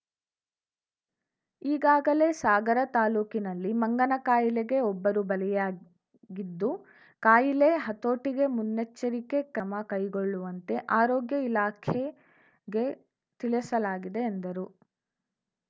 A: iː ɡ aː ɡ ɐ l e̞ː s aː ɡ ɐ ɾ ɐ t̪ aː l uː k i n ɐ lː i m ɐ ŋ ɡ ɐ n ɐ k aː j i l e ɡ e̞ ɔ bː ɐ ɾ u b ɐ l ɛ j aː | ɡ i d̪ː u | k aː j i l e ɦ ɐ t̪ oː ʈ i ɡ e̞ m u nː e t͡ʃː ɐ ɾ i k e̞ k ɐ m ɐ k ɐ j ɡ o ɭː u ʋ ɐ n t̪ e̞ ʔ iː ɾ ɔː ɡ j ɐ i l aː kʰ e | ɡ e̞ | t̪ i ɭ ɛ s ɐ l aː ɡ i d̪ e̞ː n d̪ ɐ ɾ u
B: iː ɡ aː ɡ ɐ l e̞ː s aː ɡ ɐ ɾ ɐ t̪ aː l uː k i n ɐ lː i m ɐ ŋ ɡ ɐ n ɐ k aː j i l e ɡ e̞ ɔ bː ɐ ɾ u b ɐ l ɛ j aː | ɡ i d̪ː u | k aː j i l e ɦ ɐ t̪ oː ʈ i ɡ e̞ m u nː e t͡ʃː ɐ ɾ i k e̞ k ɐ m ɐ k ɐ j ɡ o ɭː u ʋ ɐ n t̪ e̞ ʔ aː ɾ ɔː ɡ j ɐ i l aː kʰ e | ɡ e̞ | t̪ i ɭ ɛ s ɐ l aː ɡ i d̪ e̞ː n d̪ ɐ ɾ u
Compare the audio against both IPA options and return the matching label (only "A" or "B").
B